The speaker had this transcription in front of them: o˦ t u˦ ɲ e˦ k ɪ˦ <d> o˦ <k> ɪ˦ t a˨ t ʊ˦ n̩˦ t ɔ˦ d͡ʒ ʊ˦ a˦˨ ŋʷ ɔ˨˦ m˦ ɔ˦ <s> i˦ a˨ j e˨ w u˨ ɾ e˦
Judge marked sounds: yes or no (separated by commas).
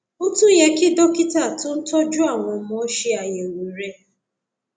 yes, yes, no